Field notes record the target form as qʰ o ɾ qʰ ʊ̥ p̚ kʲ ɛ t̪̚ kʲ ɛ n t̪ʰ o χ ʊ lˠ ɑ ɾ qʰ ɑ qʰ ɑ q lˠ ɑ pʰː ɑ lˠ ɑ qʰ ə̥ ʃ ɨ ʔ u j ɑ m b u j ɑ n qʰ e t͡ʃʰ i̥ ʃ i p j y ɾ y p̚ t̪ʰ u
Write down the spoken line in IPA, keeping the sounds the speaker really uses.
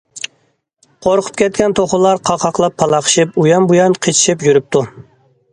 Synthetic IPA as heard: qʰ o ɾ qʰ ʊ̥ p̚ kʲ ɛ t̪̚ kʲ ɛ n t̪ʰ o χ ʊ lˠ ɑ ɾ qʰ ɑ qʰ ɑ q lˠ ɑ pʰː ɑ lˠ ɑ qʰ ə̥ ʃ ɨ p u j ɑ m b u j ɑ n qʰ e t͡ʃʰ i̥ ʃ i p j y ɾ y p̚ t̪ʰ u